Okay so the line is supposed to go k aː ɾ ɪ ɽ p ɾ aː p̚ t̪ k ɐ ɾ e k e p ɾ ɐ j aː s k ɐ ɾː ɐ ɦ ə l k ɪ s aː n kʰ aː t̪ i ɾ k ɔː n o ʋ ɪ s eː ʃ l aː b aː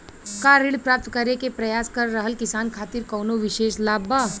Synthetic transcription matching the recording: k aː ɾ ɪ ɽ p ɾ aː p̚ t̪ k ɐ ɾ e k e p ɾ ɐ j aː s k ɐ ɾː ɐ ɦ ə l k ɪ s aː n kʰ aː t̪ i ɾ k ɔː n o ʋ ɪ ʃ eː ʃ l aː b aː